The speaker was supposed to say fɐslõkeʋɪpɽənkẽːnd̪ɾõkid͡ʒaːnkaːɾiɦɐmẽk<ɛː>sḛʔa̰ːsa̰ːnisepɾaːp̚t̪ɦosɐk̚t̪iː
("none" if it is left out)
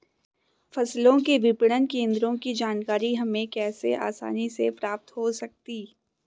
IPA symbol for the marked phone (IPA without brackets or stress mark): ɛː